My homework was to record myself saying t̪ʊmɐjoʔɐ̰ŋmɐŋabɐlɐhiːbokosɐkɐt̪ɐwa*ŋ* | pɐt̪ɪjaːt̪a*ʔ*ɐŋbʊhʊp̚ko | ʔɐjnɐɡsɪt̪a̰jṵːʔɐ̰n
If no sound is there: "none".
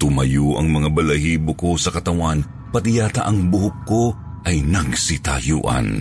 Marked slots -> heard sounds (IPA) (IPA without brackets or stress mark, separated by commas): n, ʔ